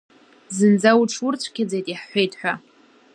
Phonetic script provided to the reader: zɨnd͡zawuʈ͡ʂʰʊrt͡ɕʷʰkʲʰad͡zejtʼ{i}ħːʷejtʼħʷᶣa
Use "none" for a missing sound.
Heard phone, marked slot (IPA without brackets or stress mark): i